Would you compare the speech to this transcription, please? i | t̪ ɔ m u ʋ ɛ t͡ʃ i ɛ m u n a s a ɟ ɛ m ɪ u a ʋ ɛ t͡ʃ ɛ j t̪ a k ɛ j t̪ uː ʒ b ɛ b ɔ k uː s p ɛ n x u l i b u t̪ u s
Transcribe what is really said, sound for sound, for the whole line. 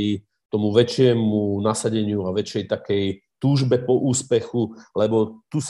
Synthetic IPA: i | t̪ ɔ m u ʋ ɛ t͡ʃ ɪ ɛ m u n a s a ɟ ɛ ɲ ɪ u a ʋ ɛ t͡ʃ ɛ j t̪ a k ɛ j t̪ uː ʒ b ɛ p ɔ ʔ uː s p ɛ x u l ɛ b ɔ t̪ u s